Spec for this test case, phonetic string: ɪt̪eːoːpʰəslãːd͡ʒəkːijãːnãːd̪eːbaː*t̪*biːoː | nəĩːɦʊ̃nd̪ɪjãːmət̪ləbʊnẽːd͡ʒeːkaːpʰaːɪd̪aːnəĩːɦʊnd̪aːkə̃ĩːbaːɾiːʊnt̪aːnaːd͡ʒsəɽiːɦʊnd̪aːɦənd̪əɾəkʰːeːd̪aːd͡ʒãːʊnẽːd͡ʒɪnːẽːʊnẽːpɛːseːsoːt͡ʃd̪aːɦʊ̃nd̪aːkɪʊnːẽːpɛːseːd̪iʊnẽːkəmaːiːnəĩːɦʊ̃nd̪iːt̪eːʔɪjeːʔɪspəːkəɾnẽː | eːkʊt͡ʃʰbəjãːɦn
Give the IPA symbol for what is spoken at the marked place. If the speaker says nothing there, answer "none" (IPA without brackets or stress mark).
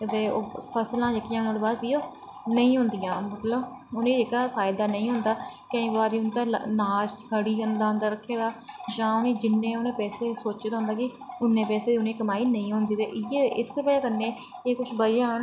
d̪